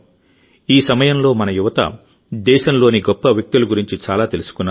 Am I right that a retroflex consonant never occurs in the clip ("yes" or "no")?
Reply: yes